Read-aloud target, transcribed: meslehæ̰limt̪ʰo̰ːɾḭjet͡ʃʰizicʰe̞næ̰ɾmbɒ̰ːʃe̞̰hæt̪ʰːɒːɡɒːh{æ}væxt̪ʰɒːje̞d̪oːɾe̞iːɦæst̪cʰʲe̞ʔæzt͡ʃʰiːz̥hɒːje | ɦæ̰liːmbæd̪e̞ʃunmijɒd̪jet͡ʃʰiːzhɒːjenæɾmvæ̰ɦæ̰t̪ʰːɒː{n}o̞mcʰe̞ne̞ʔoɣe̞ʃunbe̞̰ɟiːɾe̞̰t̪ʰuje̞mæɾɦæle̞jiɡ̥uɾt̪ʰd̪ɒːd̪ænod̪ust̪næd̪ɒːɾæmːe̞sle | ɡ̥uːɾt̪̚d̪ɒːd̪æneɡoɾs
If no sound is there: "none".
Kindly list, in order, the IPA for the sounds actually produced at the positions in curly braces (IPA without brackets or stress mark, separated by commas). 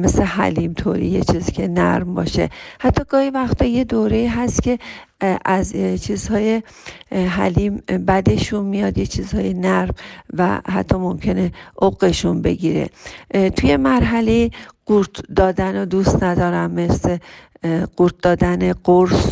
i, m